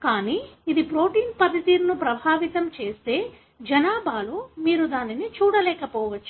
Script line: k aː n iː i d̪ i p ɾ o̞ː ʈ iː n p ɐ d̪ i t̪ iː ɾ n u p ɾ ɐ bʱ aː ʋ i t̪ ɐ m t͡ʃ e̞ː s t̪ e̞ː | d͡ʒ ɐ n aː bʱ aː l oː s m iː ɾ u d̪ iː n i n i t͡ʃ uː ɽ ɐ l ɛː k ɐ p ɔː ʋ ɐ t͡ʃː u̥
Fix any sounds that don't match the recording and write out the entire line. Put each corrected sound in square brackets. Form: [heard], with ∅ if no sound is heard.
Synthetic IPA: k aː n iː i d̪ i p ɾ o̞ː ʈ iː n p ɐ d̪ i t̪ iː ɾ n u p ɾ ɐ bʱ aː ʋ i t̪ ɐ m t͡ʃ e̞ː s t̪ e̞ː | d͡ʒ ɐ n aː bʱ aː l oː [∅] m iː ɾ u d̪ [aː] n i n i t͡ʃ uː ɽ ɐ l ɛː k ɐ p ɔː ʋ ɐ t͡ʃː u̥